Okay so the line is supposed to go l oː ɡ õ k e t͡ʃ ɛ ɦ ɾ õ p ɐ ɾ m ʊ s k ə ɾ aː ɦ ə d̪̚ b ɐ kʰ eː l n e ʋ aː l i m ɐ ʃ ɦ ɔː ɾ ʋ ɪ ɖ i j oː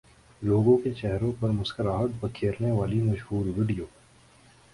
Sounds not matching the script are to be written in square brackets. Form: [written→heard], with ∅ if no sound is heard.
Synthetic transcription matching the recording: l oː ɡ õ k e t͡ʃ ɛ ɦ ɾ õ p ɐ ɾ m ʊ s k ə ɾ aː ɦ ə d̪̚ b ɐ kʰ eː [l→ɾ] n e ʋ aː l i m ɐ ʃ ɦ [ɔː→uː] ɾ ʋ ɪ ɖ i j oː